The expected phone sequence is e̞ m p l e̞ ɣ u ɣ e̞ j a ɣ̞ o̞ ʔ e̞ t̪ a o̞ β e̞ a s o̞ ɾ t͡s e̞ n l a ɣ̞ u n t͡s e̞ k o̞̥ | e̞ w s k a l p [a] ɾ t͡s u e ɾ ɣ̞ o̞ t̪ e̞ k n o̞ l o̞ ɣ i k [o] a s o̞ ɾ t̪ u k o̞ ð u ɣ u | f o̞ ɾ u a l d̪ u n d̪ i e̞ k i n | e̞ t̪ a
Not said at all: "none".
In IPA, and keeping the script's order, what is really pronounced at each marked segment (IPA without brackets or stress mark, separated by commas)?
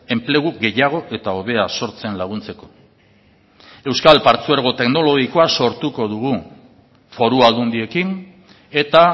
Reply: a, o